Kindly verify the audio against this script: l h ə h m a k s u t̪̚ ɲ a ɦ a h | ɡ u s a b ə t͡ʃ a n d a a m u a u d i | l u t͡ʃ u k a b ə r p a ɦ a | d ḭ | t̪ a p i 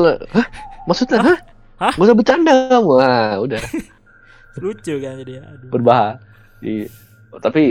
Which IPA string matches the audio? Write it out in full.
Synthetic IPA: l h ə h m a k s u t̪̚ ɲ a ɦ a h | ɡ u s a b ə t͡ʃ a n d a a m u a u d a | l u t͡ʃ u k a b ə r b a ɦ a | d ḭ | t̪ a p i